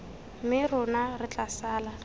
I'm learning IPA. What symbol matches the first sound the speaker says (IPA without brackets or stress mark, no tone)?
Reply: m